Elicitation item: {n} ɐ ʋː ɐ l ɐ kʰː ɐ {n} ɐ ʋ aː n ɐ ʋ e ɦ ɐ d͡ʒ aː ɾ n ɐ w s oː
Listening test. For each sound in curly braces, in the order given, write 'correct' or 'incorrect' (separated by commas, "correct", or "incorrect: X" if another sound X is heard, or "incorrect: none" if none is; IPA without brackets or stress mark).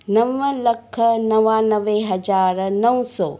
correct, correct